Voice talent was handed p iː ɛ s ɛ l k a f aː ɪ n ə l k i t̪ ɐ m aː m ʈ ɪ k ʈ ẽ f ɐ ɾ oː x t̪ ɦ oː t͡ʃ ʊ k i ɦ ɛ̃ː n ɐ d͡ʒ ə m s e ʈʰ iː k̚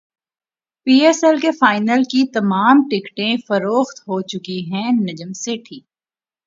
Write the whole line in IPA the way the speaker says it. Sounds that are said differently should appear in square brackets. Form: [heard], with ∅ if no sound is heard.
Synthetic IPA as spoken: p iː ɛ s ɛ l k [e] f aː ɪ n ə l k i t̪ ɐ m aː m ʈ ɪ k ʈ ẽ f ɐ ɾ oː x t̪ ɦ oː t͡ʃ ʊ k i ɦ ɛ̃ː n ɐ d͡ʒ ə m s e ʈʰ iː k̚